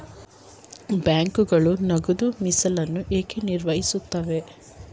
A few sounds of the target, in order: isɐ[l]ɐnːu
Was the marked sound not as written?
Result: no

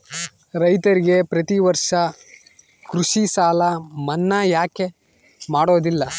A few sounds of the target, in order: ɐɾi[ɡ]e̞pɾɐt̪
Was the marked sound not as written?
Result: no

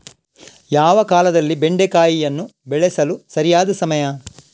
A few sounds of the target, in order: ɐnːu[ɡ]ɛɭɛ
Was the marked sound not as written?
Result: yes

